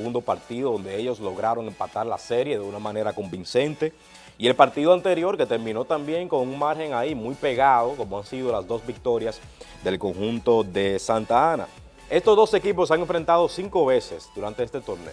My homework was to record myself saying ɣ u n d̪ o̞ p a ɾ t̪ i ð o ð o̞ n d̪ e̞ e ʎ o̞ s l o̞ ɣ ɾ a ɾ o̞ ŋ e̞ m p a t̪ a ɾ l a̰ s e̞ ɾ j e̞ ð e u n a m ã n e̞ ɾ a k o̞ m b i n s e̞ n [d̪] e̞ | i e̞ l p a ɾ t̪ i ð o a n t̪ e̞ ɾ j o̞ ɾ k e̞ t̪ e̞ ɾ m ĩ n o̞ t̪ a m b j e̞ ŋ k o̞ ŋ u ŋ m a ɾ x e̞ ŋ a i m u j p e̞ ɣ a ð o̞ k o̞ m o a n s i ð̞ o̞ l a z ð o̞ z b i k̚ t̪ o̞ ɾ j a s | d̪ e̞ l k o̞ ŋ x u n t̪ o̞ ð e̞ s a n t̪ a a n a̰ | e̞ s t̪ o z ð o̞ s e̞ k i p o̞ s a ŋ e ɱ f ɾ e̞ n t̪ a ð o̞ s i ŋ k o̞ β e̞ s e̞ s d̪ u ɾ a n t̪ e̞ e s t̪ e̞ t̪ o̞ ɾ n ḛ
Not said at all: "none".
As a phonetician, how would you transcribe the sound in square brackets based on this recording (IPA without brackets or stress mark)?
t̪